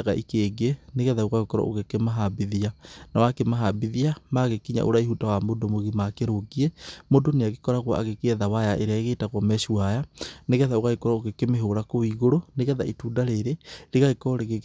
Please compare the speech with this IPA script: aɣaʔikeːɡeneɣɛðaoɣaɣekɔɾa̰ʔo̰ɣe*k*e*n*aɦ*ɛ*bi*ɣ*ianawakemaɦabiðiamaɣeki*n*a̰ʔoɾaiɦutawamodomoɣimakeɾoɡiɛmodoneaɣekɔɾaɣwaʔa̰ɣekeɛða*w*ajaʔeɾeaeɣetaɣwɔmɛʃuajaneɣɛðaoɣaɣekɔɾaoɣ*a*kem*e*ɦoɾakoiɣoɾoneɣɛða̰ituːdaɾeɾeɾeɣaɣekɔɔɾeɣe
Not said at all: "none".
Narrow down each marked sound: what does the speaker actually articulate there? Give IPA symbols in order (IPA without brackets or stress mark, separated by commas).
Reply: k, m, a, ð, ɲ, w, e, e